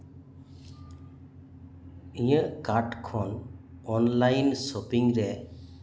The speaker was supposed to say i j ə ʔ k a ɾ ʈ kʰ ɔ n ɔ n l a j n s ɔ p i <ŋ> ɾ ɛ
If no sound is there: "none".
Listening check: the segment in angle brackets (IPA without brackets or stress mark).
ŋ